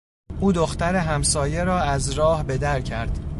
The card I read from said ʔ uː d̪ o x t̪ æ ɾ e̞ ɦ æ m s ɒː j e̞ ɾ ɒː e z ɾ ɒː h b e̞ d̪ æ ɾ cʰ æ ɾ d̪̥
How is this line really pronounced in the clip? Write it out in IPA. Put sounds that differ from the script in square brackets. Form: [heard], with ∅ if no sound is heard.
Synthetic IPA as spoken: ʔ uː d̪ o x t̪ æ ɾ e̞ ɦ æ m s ɒː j e̞ ɾ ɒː [æ] z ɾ ɒː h b e̞ d̪ æ ɾ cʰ æ ɾ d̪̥